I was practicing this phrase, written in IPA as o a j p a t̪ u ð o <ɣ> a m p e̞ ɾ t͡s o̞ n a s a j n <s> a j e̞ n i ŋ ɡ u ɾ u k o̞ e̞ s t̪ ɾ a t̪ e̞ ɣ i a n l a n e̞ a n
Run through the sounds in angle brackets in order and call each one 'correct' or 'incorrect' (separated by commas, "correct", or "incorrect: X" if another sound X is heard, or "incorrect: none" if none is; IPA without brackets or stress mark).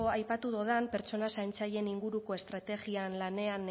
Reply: incorrect: ð, incorrect: t͡s